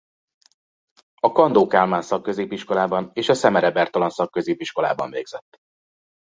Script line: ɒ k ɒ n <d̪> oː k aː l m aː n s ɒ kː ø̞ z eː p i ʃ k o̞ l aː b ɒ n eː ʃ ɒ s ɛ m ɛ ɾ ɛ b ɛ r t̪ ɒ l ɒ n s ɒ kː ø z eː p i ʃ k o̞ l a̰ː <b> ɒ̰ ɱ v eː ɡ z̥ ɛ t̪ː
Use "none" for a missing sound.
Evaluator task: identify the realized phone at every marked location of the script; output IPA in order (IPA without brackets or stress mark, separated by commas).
d̪, b